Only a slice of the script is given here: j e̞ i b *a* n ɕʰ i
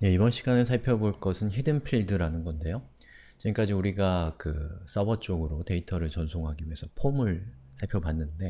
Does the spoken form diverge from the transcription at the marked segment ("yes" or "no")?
yes